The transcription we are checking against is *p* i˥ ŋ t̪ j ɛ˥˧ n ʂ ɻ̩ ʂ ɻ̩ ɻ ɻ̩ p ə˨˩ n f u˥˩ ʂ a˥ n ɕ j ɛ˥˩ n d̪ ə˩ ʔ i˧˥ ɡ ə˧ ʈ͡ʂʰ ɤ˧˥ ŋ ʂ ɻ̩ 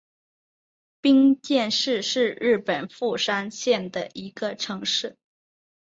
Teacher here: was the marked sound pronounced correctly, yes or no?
yes